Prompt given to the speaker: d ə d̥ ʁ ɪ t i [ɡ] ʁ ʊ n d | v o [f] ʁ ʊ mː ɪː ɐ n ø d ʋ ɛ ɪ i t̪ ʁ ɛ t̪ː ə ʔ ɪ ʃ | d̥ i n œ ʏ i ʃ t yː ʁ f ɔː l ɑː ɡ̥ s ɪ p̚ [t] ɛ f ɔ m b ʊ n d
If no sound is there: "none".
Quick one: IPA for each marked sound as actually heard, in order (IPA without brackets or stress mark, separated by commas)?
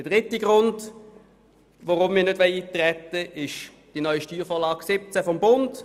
ɡ, none, t͡s